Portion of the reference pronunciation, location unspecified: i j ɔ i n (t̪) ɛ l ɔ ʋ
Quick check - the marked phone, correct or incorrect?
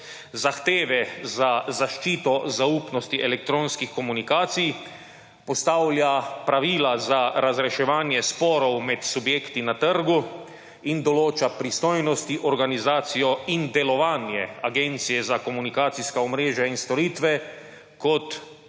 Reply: incorrect